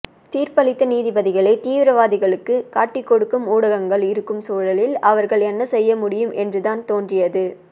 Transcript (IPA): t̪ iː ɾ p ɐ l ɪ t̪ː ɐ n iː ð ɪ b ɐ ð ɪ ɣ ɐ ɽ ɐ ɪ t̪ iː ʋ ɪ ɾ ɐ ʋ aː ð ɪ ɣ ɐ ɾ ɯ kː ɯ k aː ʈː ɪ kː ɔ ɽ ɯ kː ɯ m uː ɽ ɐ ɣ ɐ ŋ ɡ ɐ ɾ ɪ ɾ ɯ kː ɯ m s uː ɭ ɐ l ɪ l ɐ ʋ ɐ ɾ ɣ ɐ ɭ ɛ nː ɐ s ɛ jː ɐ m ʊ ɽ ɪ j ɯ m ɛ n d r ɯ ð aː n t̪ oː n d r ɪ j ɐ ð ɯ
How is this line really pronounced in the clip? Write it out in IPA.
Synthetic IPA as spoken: t̪ iː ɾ p ɐ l ɪ t̪ː ɐ n iː ð ɪ b ɐ ð ɪ ɣ ɐ ɭ ɐ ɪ t̪ iː ʋ ɪ ɾ ɐ ʋ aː ð ɪ ɣ ɐ ɭ ɯ kː ɯ k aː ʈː ɪ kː ɔ ɽ ɯ kː ɯ m uː ɽ ɐ ɣ ɐ ŋ ɡ ɐ ɭ ɪ ɾ ɯ kː ɯ m s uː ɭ ɐ l ɪ l ɐ ʋ ɐ ɾ ɣ ɐ ɭ ɛ nː ɐ s ɛ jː ɐ m ʊ ɽ ɪ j ɯ m ɛ n d r ɯ ð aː n t̪ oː n d r ɪ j ɐ ð ɯ